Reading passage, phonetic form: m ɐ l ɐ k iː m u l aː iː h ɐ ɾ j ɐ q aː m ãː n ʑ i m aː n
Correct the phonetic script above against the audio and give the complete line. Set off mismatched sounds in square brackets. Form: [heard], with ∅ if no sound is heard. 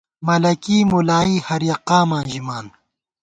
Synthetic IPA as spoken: m ɐ l ɐ k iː m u l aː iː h ɐ ɾ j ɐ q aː m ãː n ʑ i m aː n

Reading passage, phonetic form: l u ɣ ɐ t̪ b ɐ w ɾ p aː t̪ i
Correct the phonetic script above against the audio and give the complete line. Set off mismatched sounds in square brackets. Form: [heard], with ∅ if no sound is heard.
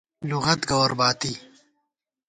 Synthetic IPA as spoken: l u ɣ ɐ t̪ [ɡ] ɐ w ɾ [b] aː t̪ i

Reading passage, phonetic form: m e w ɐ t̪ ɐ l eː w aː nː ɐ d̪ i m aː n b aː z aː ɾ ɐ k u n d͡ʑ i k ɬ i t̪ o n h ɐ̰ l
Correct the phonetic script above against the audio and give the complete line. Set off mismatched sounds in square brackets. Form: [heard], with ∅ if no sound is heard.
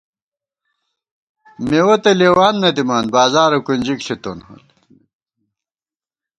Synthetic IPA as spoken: m e w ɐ t̪ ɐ l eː w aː nː ɐ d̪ i m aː n b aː z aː ɾ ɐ k u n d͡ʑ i k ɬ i t̪ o n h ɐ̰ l

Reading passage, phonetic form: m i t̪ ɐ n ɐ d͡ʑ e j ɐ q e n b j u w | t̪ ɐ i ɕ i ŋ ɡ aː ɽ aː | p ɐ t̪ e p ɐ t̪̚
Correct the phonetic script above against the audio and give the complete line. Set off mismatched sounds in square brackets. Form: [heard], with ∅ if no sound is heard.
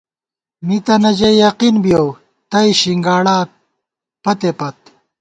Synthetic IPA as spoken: m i t̪ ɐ n ɐ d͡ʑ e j ɐ q [i] n b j [o] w | t̪ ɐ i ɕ i ŋ ɡ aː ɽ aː | p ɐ t̪ e p ɐ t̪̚

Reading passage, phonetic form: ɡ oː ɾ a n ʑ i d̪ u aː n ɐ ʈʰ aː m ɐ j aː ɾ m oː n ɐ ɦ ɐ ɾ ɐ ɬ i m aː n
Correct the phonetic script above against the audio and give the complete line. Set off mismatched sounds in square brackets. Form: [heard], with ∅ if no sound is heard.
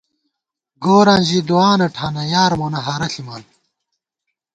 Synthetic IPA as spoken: ɡ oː ɾ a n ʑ i d̪ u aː n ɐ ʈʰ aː [n] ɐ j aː ɾ m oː n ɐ ɦ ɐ ɾ ɐ ɬ i m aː n

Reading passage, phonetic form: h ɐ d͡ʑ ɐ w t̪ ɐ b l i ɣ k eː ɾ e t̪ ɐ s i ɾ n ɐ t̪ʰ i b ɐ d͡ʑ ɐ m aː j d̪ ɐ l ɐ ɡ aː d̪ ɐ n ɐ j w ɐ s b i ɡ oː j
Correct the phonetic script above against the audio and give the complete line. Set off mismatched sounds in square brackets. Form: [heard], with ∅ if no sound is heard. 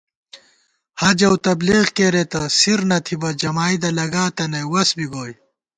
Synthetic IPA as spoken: h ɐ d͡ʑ ɐ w t̪ ɐ b l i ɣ k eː ɾ e t̪ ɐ s i ɾ n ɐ t̪ʰ i b ɐ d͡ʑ ɐ m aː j d̪ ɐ l ɐ ɡ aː [t̪] ɐ n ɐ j w ɐ s b i ɡ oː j

